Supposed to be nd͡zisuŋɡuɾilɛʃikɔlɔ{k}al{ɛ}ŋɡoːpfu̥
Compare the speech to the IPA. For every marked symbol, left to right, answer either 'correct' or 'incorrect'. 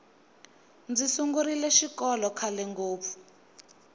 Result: incorrect: kʰ, correct

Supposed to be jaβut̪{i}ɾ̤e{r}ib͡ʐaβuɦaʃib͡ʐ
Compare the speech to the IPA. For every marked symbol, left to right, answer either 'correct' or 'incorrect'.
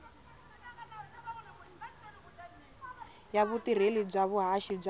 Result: correct, incorrect: l

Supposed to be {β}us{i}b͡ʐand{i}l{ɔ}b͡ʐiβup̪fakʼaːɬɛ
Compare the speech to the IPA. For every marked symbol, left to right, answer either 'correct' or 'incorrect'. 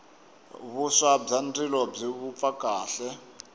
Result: correct, incorrect: a, correct, correct

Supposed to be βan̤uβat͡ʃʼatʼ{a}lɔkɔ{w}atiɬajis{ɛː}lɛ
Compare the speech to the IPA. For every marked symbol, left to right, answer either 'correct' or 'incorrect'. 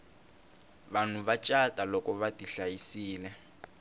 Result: correct, incorrect: β, incorrect: iː

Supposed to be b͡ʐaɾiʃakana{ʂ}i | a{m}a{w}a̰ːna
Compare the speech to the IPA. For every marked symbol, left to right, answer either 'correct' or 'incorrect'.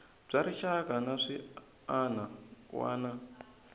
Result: correct, incorrect: n, correct

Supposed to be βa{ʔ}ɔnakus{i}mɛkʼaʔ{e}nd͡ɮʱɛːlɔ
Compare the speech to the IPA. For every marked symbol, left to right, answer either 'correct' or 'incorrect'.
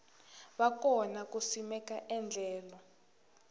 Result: incorrect: k, correct, incorrect: ɛ

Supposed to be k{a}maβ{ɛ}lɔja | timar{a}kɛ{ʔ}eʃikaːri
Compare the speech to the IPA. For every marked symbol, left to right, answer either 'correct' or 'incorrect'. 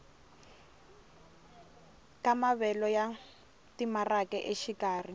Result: correct, correct, correct, correct

